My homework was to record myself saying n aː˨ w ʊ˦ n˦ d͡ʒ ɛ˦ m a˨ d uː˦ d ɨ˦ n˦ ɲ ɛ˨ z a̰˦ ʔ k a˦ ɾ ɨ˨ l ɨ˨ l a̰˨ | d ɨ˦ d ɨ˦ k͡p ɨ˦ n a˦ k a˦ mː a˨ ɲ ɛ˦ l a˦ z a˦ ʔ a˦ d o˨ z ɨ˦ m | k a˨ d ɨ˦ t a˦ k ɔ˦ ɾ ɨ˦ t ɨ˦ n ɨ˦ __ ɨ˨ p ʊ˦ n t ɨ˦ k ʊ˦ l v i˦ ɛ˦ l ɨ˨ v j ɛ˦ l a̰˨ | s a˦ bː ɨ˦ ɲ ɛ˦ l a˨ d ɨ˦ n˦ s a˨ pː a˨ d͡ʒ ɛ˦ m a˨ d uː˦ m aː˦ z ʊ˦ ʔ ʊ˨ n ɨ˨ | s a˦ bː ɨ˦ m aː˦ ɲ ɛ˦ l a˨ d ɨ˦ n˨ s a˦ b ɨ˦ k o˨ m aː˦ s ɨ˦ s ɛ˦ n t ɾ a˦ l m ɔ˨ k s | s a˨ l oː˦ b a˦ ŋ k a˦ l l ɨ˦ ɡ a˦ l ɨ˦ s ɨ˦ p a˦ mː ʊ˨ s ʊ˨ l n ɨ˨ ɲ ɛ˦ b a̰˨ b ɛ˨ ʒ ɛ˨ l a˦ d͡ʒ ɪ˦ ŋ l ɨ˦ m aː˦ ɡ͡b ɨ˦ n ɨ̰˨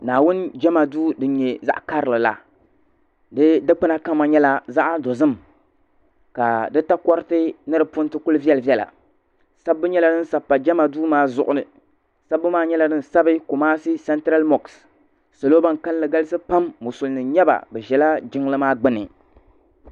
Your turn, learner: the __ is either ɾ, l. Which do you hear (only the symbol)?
ɾ